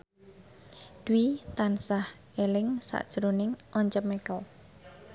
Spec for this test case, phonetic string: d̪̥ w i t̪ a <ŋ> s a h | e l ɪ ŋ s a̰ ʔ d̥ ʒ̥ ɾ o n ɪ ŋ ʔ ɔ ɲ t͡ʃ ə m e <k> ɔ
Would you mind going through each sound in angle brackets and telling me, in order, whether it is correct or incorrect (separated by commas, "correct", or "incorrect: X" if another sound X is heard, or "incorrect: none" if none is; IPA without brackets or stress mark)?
incorrect: n, correct